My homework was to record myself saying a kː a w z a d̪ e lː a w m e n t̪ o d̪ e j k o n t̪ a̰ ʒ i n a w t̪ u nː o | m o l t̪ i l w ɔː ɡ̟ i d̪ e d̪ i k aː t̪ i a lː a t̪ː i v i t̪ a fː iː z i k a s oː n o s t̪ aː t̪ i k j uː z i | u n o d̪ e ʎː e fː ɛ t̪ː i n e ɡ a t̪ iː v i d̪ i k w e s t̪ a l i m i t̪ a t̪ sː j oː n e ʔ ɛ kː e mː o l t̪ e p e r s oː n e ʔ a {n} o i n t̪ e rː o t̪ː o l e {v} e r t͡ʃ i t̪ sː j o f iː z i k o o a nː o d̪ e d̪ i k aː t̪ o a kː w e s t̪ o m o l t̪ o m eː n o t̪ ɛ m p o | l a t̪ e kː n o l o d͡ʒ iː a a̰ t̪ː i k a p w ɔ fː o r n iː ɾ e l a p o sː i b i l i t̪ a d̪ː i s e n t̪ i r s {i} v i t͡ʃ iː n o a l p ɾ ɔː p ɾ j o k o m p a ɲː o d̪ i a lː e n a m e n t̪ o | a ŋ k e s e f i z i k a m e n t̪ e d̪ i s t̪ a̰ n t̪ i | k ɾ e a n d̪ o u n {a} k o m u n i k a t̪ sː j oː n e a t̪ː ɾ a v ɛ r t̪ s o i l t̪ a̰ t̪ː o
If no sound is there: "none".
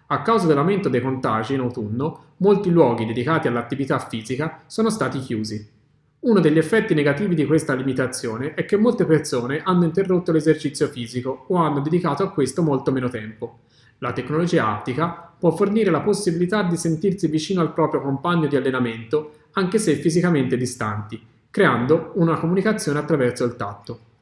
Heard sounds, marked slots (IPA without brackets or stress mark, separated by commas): nː, z, i, a